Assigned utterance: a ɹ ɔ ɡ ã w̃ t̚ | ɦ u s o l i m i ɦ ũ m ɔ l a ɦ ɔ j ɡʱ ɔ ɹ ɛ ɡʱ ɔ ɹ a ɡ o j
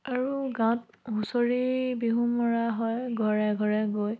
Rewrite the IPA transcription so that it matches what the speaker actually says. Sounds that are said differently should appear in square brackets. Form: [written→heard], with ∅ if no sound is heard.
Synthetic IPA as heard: a ɹ [ɔ→u] ɡ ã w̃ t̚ | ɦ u s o [l→ɹ] i [m→b] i ɦ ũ m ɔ [l→ɹ] a ɦ ɔ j ɡʱ ɔ ɹ ɛ ɡʱ ɔ ɹ [a→ɛ] ɡ o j

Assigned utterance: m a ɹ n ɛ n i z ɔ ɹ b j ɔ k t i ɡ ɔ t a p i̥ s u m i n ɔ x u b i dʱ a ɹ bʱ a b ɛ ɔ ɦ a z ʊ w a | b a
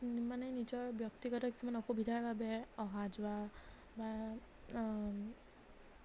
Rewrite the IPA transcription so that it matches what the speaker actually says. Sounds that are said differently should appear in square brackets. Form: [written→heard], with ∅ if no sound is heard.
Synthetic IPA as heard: m a [ɹ→∅] n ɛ n i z ɔ ɹ b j ɔ k t i ɡ ɔ t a [p→k] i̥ s u m [i→a] n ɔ x u b i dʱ a ɹ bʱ a b ɛ ɔ ɦ a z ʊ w a | b a

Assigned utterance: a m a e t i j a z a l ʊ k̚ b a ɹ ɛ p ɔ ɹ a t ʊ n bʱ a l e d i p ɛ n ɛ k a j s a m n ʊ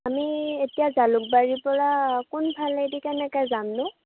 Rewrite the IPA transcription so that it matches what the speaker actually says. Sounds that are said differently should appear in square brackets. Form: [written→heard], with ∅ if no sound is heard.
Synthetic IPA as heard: a m [a→i] e t i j a z a l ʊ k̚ b a ɹ [ɛ→i] p ɔ ɹ a [t→k] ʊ n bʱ a l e d i [p→k] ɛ n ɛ k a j [s→z] a m n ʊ

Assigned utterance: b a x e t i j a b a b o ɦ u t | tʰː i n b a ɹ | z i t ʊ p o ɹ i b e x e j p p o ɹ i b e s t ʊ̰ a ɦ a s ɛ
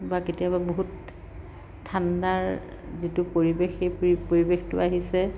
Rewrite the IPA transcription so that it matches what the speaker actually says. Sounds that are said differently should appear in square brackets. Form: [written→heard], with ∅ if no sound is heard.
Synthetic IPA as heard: b a [x→k] e t i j a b a b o ɦ u t | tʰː [i→a] n [b→d] a ɹ | z i t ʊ p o ɹ i b e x e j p p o ɹ i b e [s→x] t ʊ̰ a ɦ [a→i] s ɛ

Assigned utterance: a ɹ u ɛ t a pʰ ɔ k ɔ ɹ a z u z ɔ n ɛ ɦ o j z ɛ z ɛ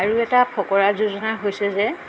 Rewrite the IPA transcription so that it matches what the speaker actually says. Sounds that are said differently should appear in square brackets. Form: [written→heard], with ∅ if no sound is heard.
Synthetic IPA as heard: a ɹ u ɛ t a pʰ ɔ k ɔ ɹ a z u z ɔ n [ɛ→a] ɦ o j [z→s] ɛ z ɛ

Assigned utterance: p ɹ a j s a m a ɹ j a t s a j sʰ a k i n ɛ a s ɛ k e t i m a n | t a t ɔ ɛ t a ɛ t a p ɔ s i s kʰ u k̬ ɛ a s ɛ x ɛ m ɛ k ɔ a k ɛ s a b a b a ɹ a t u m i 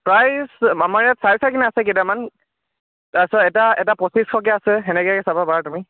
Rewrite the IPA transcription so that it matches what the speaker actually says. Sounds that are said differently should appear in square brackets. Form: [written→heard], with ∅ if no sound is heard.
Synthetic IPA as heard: p ɹ a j s a m a ɹ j a t s a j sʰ a k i n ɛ a s ɛ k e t [i→a] m a n | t a [t→s] ɔ ɛ t a ɛ t a p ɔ s i s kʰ [u→ɔ] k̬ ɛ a s ɛ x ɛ [m→n] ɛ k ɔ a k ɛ s a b a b a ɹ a t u m i

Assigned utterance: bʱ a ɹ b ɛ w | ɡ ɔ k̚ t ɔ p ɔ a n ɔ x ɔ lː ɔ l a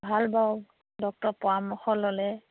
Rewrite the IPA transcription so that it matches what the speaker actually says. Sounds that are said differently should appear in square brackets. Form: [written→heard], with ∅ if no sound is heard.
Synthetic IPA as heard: bʱ a [ɹ→l] b [ɛ→a] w | [ɡ→d] ɔ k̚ t ɔ p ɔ a [n→m] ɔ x ɔ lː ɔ l [a→ɛ]

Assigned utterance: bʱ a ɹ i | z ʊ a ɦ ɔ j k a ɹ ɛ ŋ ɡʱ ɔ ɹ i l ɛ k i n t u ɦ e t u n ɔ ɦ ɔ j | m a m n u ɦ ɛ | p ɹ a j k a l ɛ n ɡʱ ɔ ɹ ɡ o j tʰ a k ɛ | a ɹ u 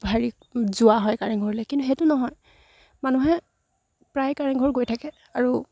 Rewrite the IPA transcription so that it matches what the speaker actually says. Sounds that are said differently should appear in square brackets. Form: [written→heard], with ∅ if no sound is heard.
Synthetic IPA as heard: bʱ a ɹ i | z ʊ a ɦ ɔ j k a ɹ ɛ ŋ ɡʱ ɔ ɹ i l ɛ k i n t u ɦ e t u n ɔ ɦ ɔ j | m a [m→∅] n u ɦ ɛ | p ɹ a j k a [l→ɹ] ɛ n ɡʱ ɔ ɹ ɡ o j tʰ a k ɛ | a ɹ u

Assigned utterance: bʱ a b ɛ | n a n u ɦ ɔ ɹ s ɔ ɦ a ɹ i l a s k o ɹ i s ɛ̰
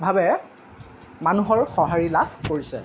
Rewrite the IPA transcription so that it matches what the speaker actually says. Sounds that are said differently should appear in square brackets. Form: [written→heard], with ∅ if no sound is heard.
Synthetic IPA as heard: bʱ a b ɛ | [n→m] a n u ɦ ɔ ɹ [s→x] ɔ ɦ a ɹ i l a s k o ɹ i s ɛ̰

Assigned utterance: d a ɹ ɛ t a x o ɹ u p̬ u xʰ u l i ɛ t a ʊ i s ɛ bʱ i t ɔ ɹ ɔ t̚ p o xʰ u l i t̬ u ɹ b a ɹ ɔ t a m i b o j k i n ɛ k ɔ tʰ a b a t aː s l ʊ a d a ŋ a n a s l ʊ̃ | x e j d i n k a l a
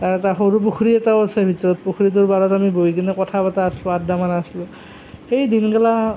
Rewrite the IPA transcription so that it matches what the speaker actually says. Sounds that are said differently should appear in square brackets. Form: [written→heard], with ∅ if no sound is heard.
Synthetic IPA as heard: [d→t] a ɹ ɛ t a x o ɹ u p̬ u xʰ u [l→ɹ] i ɛ t a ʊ [i→a] s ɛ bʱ i t ɔ ɹ ɔ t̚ p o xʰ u [l→ɹ] i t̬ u ɹ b a ɹ ɔ t a m i b o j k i n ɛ k ɔ tʰ a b a t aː s l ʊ a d a [ŋ→m] a n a s l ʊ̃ | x e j d i n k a l a

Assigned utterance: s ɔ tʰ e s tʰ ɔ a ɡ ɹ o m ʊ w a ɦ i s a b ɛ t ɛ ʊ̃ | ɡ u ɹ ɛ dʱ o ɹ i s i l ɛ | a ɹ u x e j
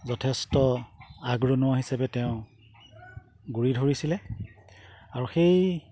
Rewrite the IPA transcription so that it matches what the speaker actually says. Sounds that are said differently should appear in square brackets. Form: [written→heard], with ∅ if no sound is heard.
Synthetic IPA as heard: [s→z] ɔ tʰ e s [tʰ→t] ɔ a ɡ ɹ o [m→n] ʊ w a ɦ i s a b ɛ t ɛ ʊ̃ | ɡ u ɹ [ɛ→i] dʱ o ɹ i s i l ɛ | a ɹ u x e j

